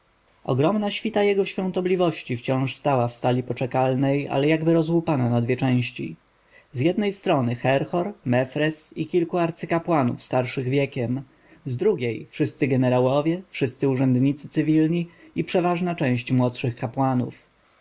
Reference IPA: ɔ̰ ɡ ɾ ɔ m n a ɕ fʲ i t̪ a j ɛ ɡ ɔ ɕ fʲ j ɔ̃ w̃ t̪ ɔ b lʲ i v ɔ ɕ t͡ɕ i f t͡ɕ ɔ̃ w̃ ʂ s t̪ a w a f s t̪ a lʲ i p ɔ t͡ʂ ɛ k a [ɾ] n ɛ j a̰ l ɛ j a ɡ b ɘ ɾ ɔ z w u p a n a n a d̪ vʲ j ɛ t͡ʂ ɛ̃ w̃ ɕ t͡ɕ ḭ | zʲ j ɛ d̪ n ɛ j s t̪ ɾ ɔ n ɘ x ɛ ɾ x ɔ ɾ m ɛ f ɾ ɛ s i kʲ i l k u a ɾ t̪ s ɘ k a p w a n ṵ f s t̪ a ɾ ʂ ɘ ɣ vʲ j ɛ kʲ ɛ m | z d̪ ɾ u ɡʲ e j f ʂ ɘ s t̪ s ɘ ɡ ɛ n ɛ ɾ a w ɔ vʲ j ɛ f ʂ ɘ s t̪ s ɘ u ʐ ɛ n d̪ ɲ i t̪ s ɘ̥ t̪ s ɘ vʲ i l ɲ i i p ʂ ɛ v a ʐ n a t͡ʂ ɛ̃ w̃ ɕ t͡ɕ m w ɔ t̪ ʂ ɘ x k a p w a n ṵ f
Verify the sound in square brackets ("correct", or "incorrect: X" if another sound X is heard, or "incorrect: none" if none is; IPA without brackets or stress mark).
incorrect: l